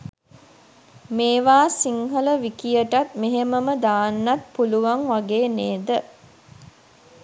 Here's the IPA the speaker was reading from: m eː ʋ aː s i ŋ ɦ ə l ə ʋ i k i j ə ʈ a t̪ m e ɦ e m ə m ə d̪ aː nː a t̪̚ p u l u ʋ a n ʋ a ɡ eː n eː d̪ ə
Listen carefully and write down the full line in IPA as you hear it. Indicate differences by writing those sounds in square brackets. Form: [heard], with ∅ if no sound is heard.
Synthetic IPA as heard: m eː ʋ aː s i ŋ ɦ ə l ə ʋ i k i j ə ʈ a t̪ m e ɦ e m ə m ə d̪ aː nː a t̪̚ p u l u ʋ a [ŋ] ʋ a ɡ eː n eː d̪ ə